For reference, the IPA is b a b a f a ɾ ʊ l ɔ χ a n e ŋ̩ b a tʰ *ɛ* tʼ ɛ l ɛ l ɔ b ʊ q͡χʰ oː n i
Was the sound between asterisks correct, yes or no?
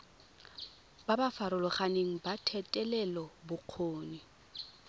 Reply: yes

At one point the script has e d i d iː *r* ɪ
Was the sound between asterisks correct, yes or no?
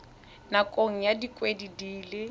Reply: no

